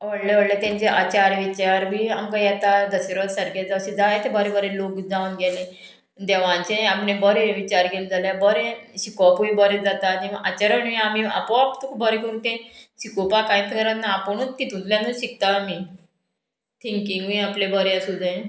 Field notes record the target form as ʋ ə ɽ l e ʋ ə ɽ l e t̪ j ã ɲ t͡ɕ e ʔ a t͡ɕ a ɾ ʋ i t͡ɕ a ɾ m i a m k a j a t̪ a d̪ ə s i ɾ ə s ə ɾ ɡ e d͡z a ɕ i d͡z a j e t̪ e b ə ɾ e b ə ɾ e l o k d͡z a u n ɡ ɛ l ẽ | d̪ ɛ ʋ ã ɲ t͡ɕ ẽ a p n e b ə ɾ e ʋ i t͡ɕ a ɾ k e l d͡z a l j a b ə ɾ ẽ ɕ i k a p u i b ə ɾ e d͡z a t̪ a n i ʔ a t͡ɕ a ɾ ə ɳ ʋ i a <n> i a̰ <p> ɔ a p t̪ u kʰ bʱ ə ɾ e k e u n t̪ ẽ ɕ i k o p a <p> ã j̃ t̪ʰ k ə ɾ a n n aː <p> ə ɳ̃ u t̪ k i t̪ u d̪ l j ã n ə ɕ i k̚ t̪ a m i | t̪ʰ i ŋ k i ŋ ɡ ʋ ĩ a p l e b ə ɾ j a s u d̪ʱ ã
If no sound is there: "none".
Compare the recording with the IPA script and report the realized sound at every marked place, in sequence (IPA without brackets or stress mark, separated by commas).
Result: m, p, k, p